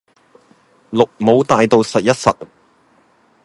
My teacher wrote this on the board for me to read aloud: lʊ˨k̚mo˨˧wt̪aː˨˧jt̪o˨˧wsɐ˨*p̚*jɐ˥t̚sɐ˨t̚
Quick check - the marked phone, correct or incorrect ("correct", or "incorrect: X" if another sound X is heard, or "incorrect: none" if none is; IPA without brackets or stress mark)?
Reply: incorrect: t̚